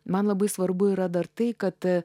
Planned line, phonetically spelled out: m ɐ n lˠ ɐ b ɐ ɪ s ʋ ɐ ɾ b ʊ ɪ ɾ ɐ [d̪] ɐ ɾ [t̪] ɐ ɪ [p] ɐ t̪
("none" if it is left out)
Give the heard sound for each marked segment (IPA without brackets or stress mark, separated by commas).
d̪, t̪, k